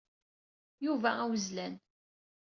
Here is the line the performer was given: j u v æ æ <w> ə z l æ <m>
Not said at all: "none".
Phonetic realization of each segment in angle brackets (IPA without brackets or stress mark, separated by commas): w, n